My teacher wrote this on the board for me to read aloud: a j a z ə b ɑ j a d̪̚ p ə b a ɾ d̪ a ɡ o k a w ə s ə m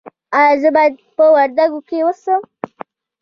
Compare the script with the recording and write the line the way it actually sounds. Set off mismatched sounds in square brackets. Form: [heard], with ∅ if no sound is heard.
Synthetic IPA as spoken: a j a z ə b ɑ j a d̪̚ p ə [w] a ɾ d̪ a ɡ o k [e] w ə s ə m